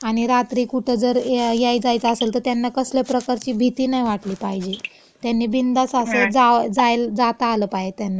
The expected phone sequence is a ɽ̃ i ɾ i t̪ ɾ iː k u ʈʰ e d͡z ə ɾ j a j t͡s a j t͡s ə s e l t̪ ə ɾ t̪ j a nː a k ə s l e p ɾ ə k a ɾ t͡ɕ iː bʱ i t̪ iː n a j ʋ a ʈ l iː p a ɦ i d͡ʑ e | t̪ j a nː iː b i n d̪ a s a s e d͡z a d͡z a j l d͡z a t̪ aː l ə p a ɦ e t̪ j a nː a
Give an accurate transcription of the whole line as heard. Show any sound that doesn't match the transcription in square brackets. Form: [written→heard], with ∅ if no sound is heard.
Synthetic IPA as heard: a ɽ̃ i ɾ [i→a] t̪ ɾ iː k u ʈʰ e d͡z ə ɾ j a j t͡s a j t͡s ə s e l t̪ ə ɾ t̪ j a nː a k ə s l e p ɾ ə k a ɾ t͡ɕ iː bʱ i t̪ iː n a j ʋ a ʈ l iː p a ɦ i d͡ʑ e | t̪ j a nː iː b i n d̪ a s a s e d͡z a d͡z a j l d͡z a t̪ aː l ə p a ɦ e t̪ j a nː a